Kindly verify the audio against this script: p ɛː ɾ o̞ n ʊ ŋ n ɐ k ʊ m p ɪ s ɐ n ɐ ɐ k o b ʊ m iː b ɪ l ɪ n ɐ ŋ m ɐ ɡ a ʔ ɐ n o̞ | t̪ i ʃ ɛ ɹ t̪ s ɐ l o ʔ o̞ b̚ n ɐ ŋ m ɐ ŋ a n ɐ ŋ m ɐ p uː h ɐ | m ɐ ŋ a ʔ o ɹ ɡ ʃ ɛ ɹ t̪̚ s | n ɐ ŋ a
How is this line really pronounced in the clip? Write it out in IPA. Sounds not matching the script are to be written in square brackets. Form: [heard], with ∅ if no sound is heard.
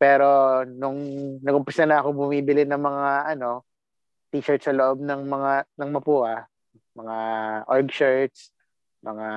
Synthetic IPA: p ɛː ɾ o̞ n ʊ ŋ n ɐ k ʊ m p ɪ s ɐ n ɐ ɐ k o b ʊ m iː b ɪ l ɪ n ɐ ŋ m ɐ [ŋ] a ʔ ɐ n o̞ | t̪ i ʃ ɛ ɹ t̪ s ɐ l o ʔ o̞ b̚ n ɐ ŋ m ɐ ŋ a n ɐ ŋ m ɐ p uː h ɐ | m ɐ ŋ a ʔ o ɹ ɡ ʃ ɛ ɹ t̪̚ s | [m] ɐ ŋ a